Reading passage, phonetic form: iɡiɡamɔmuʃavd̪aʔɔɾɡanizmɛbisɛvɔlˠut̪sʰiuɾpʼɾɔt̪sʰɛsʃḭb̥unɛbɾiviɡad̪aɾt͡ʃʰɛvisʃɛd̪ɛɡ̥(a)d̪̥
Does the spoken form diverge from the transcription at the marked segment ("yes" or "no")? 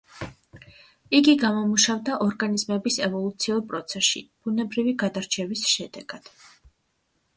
no